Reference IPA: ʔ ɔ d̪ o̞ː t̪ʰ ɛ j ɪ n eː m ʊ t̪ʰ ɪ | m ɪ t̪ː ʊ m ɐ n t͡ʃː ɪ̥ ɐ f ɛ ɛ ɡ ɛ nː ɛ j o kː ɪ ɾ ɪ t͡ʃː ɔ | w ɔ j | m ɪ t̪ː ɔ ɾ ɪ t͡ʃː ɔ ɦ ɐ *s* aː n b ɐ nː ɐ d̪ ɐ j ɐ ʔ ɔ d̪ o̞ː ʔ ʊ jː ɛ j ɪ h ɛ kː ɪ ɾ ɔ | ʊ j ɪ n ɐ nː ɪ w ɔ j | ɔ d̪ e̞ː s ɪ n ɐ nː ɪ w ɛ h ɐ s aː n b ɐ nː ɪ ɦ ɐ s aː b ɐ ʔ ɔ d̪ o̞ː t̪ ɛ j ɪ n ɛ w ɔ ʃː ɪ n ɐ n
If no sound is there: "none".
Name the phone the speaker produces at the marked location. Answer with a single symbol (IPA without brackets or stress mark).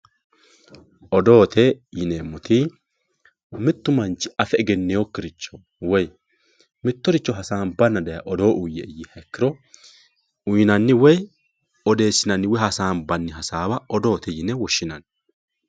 s